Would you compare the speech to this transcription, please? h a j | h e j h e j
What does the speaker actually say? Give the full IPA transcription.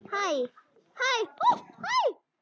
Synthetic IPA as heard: h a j | h a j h a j